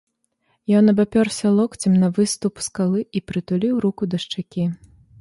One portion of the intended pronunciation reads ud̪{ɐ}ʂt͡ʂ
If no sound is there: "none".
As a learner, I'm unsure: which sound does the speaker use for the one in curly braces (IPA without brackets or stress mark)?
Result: ɐ